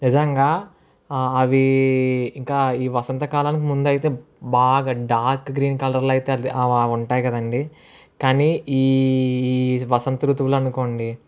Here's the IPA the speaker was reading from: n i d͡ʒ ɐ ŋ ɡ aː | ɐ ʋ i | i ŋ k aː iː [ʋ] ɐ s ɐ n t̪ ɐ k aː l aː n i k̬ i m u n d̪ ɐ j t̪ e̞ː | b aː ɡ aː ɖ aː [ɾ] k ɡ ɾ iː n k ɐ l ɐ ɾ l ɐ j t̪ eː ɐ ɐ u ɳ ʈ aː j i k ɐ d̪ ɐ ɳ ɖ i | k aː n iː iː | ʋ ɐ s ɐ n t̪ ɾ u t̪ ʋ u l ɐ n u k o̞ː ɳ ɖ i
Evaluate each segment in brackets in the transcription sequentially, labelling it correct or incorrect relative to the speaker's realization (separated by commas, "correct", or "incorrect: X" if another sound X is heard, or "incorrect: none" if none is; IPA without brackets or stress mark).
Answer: correct, correct